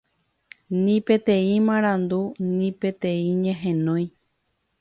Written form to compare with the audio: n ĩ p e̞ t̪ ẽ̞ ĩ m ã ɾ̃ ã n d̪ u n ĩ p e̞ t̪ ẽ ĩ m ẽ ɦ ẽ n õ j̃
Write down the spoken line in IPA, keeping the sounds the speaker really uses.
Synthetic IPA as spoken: n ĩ p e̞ t̪ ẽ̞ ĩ m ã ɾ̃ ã n d̪ u n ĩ p e̞ t̪ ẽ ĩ ɲ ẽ ɦ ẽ n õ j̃